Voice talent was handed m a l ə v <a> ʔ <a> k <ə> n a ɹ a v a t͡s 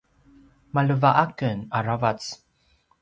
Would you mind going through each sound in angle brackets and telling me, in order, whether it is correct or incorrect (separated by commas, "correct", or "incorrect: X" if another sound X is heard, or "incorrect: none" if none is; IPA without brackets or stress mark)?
correct, correct, correct